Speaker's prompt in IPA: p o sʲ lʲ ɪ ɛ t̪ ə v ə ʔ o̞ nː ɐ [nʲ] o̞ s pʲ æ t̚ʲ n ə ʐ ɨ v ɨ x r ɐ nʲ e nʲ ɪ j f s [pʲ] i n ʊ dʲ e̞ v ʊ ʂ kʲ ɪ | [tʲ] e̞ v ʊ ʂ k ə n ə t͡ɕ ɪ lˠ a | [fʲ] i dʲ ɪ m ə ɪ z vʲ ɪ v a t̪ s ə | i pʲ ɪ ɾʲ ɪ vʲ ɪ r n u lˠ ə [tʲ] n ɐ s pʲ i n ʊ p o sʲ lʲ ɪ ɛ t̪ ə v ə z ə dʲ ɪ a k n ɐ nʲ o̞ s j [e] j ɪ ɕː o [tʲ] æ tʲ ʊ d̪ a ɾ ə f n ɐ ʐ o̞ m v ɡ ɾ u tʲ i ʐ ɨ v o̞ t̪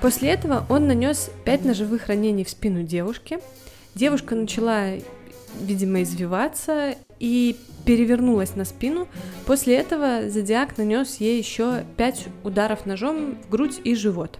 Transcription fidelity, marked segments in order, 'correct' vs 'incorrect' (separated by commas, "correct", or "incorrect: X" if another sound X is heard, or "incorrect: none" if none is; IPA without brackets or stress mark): correct, correct, incorrect: dʲ, incorrect: vʲ, incorrect: sʲ, correct, incorrect: pʲ